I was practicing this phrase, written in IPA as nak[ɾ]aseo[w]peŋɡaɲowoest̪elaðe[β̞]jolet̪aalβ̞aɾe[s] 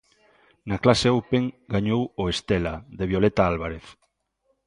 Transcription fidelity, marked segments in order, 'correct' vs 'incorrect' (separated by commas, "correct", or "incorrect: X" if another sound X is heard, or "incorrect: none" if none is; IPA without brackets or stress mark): incorrect: l, correct, correct, incorrect: θ